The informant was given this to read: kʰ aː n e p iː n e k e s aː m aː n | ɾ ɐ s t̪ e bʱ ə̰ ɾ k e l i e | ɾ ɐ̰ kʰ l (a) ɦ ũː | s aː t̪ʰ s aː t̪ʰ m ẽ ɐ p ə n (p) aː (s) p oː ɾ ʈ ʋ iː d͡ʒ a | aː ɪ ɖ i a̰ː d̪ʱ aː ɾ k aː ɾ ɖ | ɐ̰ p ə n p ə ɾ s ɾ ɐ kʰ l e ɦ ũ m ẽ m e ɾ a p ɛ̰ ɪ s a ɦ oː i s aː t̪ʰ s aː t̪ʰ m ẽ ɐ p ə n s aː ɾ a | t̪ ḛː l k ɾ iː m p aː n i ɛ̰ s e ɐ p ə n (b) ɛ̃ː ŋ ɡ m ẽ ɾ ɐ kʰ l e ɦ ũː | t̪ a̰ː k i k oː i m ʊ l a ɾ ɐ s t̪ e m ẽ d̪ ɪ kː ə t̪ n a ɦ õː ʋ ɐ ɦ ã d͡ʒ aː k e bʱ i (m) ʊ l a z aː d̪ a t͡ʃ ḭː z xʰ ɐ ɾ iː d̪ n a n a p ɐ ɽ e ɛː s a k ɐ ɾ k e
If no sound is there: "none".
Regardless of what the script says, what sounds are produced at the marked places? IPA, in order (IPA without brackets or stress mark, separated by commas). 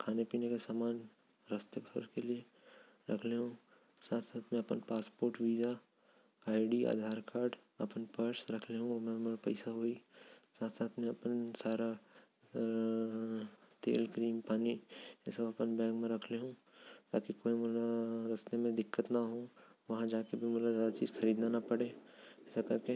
e, p, s, b, m